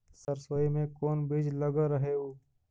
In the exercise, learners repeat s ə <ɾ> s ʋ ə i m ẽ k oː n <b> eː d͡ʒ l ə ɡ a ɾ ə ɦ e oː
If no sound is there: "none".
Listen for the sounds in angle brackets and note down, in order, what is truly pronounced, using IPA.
ɾ, b

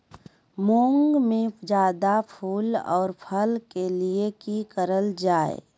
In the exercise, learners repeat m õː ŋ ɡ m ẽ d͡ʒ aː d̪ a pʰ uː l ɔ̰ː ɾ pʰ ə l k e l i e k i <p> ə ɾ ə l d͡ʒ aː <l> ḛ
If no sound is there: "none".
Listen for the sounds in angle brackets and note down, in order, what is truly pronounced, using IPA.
k, none

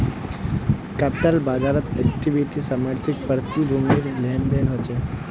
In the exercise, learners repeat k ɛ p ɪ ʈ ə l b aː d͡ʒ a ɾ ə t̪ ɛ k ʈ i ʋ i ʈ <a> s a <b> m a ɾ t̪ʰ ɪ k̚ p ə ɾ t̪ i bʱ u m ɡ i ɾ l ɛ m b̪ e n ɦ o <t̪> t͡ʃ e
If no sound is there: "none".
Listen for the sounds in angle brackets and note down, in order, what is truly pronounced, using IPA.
i, none, none

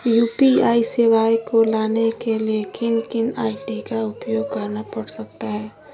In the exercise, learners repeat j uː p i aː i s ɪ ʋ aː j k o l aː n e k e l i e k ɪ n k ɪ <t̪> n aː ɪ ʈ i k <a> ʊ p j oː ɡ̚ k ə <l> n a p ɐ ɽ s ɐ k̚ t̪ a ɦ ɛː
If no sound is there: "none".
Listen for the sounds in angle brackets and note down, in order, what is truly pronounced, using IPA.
none, a, ɾ

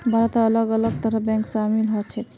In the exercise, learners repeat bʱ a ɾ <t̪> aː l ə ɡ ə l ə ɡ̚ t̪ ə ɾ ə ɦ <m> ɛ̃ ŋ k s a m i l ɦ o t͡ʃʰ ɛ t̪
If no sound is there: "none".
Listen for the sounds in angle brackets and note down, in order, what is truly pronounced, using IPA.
t̪, b

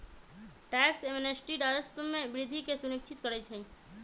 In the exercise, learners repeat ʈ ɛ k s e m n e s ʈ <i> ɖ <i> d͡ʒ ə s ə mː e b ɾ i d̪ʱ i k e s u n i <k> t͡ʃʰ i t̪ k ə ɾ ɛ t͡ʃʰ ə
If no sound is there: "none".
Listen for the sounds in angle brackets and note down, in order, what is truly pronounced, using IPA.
i, a, k

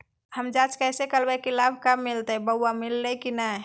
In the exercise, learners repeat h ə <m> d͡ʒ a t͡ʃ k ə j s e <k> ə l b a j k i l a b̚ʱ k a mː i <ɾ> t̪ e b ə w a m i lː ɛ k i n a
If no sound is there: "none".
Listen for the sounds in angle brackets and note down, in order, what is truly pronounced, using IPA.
m, k, l

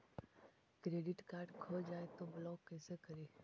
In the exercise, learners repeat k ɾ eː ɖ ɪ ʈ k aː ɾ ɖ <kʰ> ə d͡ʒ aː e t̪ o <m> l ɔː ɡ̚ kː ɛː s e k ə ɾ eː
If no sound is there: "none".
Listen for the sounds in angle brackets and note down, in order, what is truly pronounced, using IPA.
kʰ, b

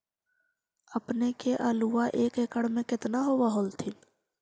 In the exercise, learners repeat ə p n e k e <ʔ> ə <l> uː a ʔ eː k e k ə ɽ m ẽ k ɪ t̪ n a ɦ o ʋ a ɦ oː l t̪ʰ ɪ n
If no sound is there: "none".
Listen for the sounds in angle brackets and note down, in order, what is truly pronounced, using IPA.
ʔ, l

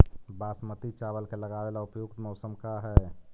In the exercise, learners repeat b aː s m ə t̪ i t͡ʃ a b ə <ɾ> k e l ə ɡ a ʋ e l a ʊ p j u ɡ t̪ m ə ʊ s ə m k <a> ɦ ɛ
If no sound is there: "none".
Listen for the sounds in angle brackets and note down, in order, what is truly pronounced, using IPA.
l, a

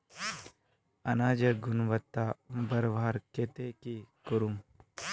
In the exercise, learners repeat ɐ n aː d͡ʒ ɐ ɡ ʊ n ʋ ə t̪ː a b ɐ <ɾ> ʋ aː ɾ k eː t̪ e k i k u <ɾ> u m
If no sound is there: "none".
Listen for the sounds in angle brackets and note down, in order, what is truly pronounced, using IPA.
ɾ, ɾ

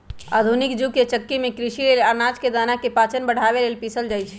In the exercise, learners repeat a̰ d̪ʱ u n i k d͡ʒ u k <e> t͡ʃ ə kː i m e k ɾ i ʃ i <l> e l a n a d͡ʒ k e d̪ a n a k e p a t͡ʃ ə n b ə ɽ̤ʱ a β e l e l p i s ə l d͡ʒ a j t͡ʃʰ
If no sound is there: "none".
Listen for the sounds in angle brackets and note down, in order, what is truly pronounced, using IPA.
e, l

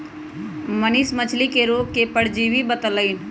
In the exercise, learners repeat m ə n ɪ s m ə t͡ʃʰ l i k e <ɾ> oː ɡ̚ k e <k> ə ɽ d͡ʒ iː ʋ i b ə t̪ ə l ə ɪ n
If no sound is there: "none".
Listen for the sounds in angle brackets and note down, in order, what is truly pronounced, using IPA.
ɾ, p

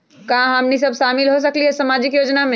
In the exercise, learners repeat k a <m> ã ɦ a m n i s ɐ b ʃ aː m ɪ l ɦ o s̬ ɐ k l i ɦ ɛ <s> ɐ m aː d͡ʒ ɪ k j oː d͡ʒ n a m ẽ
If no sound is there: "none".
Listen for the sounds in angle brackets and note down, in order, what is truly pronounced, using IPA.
none, s

